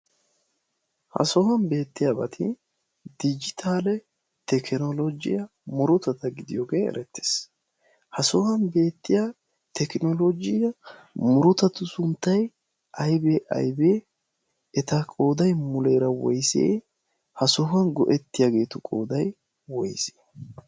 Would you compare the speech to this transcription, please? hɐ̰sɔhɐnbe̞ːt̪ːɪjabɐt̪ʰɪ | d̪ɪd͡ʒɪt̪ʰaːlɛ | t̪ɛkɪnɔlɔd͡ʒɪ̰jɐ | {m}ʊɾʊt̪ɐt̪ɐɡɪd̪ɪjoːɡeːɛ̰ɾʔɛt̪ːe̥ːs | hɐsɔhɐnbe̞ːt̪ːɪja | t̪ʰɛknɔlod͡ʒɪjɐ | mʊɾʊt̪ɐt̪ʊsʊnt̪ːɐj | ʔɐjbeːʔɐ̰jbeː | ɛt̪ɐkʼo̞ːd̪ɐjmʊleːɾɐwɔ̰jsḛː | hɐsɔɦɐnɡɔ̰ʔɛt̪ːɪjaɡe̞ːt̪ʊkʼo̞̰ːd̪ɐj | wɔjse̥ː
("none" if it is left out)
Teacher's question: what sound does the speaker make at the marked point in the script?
m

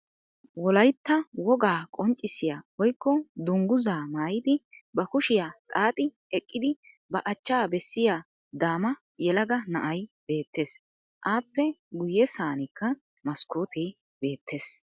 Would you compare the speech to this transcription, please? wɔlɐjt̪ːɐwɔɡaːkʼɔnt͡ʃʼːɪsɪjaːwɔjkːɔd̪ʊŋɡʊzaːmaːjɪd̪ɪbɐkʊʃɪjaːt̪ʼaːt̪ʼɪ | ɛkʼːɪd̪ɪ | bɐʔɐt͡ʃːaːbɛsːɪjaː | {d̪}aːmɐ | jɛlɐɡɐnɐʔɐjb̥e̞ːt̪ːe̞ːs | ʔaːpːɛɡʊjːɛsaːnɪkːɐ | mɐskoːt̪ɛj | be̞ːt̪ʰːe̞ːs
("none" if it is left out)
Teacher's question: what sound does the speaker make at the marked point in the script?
d̪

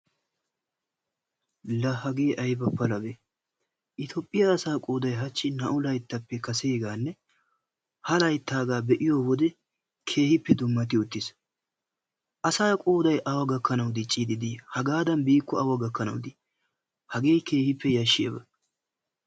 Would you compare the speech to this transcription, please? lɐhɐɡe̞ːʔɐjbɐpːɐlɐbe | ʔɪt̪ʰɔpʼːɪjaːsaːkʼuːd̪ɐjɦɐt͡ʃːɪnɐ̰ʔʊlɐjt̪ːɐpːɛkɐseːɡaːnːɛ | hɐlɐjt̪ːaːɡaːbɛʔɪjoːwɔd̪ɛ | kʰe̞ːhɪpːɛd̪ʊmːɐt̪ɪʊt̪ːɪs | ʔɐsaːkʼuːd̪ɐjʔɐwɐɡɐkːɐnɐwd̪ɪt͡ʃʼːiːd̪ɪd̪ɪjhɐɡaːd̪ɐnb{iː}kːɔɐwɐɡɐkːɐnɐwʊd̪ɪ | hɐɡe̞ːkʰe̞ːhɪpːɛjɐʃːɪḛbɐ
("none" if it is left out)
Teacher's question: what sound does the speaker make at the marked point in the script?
iː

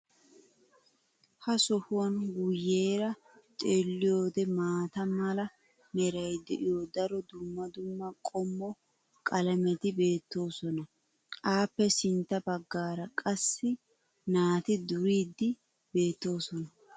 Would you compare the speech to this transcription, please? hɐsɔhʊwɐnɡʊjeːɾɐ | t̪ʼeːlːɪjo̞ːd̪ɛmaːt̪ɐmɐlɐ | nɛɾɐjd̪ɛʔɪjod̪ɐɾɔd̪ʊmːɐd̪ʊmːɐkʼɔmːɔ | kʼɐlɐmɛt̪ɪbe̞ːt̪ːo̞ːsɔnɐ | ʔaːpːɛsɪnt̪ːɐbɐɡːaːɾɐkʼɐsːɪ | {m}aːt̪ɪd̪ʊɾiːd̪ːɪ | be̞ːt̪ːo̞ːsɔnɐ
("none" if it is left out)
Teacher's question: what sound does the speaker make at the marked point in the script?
n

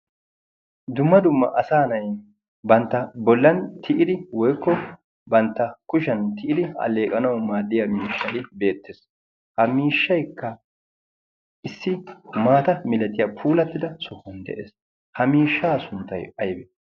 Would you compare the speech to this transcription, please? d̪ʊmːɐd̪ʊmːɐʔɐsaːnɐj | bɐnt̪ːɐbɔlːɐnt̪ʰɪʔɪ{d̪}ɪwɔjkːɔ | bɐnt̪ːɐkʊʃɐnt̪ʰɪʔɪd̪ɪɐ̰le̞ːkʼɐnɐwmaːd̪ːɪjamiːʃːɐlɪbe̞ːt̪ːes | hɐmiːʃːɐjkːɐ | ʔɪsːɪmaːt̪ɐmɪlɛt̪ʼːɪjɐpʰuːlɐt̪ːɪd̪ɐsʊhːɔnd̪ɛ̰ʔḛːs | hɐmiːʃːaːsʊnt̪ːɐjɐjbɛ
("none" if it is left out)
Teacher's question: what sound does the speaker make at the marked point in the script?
d̪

